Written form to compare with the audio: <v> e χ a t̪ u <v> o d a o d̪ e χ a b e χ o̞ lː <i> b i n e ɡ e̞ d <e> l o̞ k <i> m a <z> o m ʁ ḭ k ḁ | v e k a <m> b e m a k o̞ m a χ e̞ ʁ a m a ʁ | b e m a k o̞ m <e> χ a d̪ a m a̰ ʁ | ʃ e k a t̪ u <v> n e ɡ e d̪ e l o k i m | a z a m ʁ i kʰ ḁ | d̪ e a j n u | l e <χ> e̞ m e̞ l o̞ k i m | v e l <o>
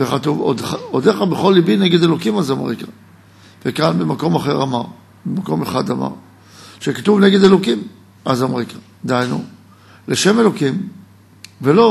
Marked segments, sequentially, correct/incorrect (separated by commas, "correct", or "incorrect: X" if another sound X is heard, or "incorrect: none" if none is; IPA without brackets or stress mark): correct, correct, correct, correct, correct, correct, incorrect: n, correct, correct, incorrect: ʃ, correct